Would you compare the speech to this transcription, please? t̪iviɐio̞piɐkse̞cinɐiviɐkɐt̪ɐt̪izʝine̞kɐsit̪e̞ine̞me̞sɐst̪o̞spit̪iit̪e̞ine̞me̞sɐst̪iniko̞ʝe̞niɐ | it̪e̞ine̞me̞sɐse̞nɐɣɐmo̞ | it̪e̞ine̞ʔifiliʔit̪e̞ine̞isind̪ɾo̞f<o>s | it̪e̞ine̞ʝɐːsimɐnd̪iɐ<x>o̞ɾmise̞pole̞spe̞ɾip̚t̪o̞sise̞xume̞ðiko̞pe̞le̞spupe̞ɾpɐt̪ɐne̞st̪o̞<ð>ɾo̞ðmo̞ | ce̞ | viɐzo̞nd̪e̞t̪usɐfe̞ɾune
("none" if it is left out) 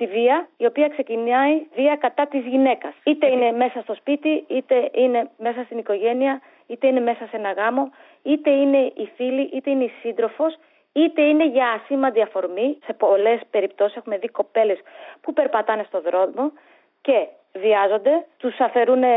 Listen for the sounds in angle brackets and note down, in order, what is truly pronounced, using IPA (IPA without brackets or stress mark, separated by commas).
o, f, ð